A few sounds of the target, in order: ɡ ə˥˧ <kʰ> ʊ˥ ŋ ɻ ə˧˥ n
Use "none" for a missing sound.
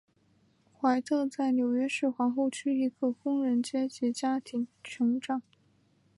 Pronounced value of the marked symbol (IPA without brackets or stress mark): k